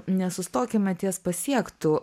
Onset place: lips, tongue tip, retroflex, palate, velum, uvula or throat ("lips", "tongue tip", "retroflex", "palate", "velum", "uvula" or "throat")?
tongue tip